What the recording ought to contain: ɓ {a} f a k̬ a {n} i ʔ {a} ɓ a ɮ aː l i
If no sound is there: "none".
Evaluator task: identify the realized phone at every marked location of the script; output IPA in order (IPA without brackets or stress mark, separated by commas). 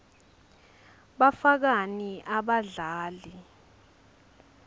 a, n, a